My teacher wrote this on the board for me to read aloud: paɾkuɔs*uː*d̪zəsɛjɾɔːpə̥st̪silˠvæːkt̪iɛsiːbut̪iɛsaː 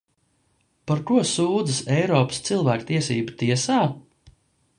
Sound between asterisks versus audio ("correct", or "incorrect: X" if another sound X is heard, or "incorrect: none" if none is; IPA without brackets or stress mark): correct